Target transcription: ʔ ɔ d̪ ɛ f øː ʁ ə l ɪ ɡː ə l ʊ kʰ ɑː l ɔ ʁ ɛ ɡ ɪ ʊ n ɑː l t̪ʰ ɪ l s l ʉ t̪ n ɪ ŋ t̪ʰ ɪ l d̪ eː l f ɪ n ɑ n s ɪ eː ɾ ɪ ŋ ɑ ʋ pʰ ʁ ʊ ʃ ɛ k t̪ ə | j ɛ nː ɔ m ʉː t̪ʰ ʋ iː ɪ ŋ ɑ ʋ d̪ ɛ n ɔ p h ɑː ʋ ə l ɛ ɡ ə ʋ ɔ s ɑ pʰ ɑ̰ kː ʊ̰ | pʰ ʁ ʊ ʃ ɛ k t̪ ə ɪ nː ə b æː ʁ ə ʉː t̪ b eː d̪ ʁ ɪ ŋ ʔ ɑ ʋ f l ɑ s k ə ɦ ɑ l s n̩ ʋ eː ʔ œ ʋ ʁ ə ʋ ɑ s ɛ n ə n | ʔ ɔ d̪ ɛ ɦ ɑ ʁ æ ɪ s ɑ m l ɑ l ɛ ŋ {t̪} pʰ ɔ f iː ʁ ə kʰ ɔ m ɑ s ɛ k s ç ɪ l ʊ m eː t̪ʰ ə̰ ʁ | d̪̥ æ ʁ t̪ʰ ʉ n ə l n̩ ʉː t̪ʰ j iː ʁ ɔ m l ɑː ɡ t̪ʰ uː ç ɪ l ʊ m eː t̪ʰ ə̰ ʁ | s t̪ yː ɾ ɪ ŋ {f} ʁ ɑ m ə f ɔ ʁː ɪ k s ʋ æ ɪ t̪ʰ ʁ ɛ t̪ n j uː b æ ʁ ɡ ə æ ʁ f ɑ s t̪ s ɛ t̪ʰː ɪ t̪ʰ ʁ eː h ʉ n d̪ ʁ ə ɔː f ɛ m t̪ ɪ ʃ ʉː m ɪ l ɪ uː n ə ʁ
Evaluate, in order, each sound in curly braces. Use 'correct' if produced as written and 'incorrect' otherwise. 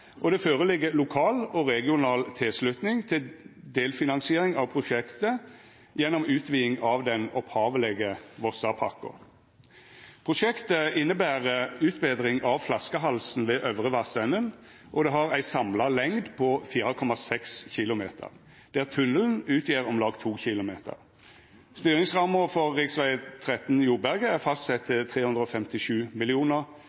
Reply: incorrect, incorrect

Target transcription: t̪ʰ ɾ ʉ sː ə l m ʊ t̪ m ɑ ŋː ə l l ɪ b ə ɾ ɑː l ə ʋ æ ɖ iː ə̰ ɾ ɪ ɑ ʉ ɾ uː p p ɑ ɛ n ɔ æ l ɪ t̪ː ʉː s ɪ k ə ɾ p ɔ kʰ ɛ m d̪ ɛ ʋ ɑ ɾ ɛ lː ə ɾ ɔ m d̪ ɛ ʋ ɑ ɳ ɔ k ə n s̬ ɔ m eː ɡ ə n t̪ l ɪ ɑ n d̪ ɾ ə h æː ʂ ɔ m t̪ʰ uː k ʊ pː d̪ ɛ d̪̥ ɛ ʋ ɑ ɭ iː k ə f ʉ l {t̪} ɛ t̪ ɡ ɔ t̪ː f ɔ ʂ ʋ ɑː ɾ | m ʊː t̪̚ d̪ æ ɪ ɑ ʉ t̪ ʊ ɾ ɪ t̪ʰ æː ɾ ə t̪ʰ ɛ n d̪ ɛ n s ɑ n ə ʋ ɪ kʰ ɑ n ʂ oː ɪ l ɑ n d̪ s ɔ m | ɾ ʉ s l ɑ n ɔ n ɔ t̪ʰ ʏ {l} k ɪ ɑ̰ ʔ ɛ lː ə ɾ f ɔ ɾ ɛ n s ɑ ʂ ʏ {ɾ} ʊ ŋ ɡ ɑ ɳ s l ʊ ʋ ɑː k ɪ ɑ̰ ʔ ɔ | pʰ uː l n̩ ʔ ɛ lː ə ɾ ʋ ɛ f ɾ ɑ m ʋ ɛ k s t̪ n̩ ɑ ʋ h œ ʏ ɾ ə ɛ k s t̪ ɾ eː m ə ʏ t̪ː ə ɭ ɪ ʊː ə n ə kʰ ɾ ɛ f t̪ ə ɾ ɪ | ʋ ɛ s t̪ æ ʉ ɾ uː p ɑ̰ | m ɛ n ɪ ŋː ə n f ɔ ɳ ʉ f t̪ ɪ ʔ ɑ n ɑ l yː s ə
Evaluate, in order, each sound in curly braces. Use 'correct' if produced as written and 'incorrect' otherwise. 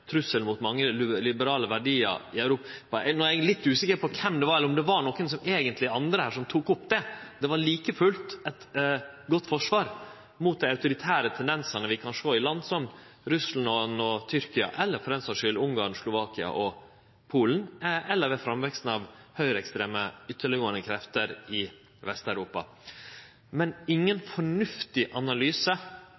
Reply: correct, incorrect, incorrect

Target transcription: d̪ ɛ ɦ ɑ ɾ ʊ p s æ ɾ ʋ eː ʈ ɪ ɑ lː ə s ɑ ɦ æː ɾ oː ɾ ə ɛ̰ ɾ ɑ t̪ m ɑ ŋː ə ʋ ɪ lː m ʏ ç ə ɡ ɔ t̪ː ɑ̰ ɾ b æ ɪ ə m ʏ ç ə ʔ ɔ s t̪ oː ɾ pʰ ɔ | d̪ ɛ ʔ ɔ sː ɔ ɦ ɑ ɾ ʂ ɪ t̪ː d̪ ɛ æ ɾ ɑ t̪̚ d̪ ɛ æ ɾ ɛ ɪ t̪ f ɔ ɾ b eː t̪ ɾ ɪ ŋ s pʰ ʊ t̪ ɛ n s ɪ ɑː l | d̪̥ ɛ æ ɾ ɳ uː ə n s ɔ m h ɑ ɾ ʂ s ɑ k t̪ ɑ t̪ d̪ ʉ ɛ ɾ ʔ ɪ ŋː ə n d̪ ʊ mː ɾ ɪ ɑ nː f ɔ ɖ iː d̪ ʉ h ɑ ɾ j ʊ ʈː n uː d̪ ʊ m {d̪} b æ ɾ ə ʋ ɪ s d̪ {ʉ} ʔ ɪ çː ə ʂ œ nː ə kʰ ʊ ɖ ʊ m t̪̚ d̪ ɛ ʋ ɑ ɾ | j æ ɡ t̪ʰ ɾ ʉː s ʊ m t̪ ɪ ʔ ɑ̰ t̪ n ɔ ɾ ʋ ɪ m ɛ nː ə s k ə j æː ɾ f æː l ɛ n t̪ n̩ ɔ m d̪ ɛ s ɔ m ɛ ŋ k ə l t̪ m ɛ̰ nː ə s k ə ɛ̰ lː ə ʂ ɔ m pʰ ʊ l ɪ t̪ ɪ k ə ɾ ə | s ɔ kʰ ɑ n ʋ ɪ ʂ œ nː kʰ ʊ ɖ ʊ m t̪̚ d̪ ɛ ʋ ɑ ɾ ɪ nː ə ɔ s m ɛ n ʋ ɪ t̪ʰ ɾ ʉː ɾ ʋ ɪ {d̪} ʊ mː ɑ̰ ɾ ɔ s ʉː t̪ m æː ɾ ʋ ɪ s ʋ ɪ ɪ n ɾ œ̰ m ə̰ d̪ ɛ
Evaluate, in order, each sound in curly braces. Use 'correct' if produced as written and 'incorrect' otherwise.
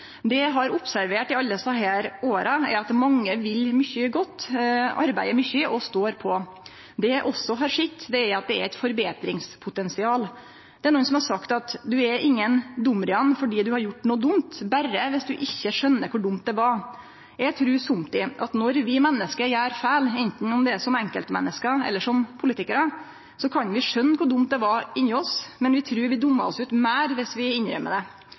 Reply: incorrect, correct, correct

